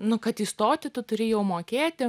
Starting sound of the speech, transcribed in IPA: n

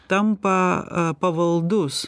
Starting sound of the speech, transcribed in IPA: t̪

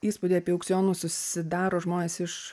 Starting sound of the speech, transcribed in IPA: iː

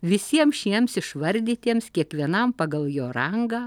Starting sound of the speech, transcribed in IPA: ʋʲ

